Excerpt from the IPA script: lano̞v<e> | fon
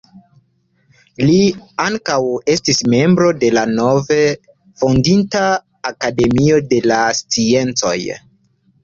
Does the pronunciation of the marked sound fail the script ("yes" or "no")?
no